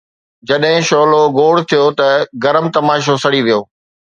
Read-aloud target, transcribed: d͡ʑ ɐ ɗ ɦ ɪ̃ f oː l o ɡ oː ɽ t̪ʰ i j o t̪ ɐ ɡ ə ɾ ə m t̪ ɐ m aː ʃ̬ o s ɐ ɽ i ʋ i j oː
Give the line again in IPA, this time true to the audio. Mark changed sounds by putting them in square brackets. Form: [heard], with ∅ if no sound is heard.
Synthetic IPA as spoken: d͡ʑ ɐ ɗ ɦ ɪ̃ [ʃ] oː l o ɡ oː ɽ t̪ʰ i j o t̪ ɐ ɡ [ɐ] ɾ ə m t̪ ɐ m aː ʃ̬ o s ɐ ɽ i ʋ i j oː